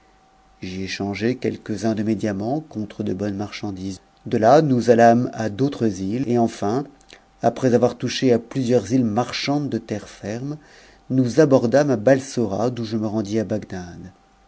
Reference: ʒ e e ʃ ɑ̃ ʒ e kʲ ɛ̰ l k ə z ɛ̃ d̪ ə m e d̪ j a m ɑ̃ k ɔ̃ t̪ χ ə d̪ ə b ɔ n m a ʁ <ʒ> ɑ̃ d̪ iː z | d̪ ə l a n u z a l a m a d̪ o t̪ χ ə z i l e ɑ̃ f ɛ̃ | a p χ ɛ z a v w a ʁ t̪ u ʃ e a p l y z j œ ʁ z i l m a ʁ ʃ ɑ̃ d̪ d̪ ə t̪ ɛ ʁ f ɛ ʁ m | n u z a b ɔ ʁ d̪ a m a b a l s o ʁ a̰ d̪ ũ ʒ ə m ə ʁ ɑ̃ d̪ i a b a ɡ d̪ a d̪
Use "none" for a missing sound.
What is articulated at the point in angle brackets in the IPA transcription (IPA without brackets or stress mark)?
ʃ